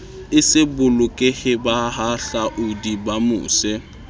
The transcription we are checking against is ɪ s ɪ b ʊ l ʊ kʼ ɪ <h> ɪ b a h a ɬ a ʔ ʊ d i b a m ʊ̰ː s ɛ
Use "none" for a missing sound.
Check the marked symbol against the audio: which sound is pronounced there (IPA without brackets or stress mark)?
h